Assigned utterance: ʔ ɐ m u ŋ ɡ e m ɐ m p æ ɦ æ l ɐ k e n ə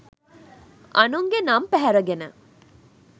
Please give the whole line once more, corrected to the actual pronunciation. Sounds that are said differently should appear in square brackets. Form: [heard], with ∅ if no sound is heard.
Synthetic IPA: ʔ ɐ [n] u ŋ ɡ e [n] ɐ m p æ ɦ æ [ɾ] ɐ [ɡ] e n ə